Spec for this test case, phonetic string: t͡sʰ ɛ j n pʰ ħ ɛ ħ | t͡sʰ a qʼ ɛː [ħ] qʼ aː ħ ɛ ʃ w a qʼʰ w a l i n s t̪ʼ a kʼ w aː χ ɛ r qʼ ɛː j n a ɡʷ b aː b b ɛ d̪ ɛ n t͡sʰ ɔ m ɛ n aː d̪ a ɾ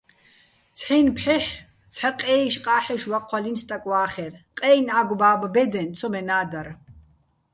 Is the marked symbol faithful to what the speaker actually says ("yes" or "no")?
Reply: no